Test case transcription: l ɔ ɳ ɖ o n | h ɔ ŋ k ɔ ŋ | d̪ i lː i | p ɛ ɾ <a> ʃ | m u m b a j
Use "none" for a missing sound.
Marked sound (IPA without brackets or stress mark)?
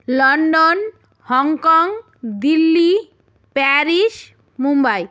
i